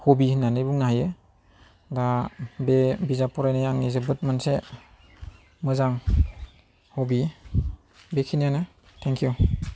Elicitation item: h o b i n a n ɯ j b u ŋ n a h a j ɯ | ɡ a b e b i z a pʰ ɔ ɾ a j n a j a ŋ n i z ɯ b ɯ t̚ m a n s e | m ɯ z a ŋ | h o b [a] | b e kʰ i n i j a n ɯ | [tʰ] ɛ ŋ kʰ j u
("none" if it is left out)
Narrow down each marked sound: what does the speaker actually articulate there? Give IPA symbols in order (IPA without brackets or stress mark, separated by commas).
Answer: i, tʰ